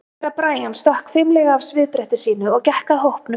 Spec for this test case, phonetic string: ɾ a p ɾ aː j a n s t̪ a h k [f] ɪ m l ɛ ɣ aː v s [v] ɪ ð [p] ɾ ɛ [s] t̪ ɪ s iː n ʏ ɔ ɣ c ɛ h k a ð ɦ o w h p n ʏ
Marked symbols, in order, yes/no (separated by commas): yes, yes, yes, no